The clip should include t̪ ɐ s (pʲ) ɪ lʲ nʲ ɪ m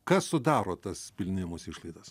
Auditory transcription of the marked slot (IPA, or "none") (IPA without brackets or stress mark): pʲ